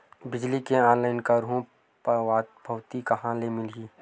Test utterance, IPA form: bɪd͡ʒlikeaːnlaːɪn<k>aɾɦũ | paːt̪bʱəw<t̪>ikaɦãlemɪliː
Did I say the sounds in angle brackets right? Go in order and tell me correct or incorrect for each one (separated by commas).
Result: correct, correct